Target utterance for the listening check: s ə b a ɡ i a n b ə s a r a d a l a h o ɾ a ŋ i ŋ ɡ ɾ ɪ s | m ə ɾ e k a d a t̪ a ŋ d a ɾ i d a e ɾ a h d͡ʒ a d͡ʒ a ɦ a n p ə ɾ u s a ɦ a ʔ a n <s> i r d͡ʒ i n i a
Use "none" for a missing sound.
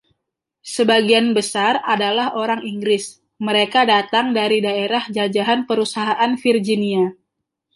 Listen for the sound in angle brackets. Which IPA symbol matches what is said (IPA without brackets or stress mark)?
f